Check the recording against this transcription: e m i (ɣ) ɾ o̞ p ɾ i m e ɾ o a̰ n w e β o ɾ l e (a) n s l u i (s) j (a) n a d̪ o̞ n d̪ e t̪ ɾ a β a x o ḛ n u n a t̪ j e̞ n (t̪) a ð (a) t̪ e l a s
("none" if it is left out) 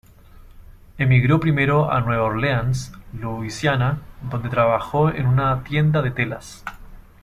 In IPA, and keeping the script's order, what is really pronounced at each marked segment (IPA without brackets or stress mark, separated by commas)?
ɣ, a, s, a, d̪, e